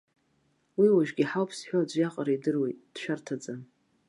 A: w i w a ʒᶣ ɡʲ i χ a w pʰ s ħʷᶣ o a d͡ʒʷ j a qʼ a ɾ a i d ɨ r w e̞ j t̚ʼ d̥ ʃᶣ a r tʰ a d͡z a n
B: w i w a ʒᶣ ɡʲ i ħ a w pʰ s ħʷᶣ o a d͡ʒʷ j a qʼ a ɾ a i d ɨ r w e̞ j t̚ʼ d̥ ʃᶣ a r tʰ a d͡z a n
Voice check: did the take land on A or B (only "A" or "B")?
B